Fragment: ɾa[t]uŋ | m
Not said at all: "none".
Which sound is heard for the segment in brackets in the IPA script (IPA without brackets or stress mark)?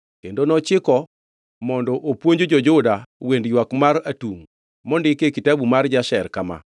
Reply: t